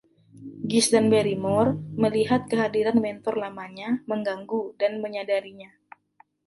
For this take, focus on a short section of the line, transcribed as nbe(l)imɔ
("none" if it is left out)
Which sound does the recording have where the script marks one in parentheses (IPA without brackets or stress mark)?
ɾ